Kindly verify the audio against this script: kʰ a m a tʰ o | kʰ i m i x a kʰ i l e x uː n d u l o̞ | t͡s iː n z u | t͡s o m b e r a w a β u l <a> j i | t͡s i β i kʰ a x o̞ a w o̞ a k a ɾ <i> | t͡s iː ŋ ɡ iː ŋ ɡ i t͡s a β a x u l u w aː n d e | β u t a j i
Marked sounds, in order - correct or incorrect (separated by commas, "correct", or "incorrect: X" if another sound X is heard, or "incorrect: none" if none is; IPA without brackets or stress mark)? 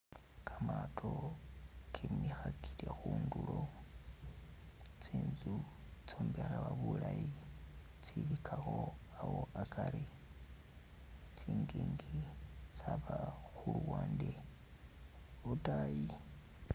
correct, correct